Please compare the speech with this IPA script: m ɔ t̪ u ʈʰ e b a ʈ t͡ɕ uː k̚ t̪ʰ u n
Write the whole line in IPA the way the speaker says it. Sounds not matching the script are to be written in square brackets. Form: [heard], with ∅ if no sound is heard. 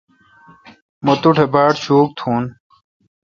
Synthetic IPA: m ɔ t̪ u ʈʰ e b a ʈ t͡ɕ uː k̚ t̪ʰ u n